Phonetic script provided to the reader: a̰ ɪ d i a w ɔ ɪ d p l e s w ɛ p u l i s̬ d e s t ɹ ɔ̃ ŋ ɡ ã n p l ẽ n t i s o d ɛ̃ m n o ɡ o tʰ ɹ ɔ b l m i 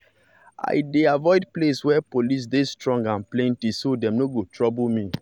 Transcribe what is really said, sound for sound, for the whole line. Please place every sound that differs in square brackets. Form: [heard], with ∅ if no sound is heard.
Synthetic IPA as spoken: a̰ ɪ d [e] a [v] ɔ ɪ d p l e s w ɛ p [o] l i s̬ d e s t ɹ ɔ̃ ŋ ɡ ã n p l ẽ n t i s o d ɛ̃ m n o ɡ o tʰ ɹ ɔ b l m i